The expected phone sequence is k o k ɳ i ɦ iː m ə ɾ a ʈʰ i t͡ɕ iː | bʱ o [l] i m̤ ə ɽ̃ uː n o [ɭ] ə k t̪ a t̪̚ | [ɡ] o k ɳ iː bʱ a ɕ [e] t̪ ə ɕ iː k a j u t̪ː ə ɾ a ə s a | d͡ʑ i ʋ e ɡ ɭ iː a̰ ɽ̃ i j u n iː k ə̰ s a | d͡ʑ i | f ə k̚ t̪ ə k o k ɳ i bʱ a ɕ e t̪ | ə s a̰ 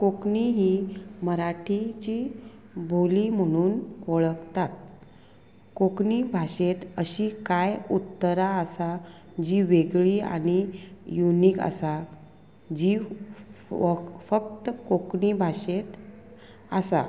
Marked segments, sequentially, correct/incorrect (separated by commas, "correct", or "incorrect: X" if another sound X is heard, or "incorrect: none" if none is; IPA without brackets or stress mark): correct, correct, incorrect: k, correct